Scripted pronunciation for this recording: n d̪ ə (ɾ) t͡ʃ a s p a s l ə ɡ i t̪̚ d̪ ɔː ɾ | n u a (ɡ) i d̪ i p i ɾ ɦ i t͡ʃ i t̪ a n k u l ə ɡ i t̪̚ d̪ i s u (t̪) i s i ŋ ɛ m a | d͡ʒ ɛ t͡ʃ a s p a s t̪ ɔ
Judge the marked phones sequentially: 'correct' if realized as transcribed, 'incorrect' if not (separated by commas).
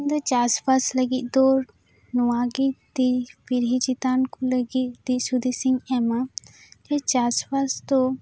incorrect, correct, incorrect